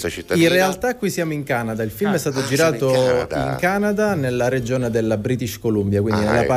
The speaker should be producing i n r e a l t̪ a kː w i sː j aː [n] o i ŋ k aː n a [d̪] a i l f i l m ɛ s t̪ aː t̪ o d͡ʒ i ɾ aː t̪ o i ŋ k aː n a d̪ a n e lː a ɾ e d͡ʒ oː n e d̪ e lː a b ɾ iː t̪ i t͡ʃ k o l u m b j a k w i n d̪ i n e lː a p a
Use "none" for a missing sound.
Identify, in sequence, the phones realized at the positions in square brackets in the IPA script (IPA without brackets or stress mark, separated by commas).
m, d̪